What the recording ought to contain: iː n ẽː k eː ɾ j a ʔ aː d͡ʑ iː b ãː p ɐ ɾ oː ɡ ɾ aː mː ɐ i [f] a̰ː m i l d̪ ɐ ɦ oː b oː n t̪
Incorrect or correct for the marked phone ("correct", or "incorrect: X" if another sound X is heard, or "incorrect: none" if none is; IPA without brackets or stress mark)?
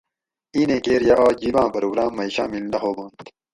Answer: incorrect: ɕ